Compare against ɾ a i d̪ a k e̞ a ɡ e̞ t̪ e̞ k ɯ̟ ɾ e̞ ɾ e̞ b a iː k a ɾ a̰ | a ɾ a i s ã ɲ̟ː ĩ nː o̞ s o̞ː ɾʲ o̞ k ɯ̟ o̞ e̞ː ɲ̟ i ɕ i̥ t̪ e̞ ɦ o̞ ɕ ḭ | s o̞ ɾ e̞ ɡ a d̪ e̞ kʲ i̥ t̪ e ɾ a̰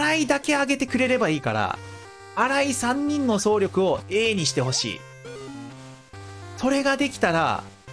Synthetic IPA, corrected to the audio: ɾ a i d̪ a k e̞ a ɡ e̞ t̪ e̞ k ɯ̟ ɾ e̞ ɾ e̞ b a iː k a ɾ a̰ | a ɾ a i s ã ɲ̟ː ĩ nː o̞ s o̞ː ɾʲ o̞ k ɯ̟ o̞ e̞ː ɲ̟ i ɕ i̥ t̪ e̞ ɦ o̞ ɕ ḭː | s o̞ ɾ e̞ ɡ a d̪ e̞ kʲ i̥ t̪ a ɾ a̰